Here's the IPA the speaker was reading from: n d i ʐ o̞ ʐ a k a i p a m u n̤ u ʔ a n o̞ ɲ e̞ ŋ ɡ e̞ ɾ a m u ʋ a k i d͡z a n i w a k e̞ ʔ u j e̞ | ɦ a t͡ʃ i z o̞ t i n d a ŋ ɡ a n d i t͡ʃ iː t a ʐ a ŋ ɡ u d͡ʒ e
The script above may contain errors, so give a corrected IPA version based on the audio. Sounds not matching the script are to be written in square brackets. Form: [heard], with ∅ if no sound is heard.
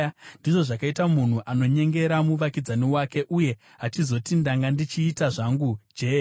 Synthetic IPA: n d i ʐ o̞ ʐ a k a i [t] a m u n̤ u ʔ a n o̞ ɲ e̞ ŋ ɡ e̞ ɾ a m u ʋ a k i d͡z a n i w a k e̞ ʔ u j e̞ | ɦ a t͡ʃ i z o̞ t i n d a ŋ ɡ a n d i t͡ʃ iː t a ʐ a ŋ ɡ u d͡ʒ e